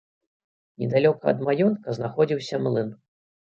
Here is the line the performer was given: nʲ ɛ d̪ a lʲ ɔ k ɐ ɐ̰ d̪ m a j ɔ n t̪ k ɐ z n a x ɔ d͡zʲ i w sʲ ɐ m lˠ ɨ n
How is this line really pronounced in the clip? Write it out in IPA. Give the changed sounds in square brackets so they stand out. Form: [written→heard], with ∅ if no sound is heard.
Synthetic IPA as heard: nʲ ɛ d̪ a lʲ ɔ k ɐ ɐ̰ d̪ m a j ɔ n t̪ k ɐ z n a x ɔ d͡zʲ i w sʲ ɐ m lˠ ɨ n